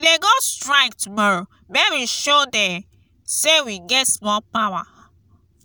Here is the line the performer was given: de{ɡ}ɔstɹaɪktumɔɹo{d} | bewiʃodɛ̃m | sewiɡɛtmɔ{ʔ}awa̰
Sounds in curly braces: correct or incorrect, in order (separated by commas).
correct, incorrect, incorrect